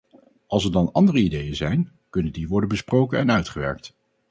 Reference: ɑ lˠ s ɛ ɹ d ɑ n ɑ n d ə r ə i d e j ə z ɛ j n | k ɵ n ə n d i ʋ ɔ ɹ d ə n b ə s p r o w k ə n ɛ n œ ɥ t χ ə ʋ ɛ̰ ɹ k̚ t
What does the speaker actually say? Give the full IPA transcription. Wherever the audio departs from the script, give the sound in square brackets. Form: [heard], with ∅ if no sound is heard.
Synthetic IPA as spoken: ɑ lˠ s ɛ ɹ d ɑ n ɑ n d ə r ə i d e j ə z ɛ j n | k ɵ n ə n d i ʋ ɔ ɹ d ə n b ə s p r o w k ə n ɛ n œ ɥ t χ ə ʋ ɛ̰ ɹ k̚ t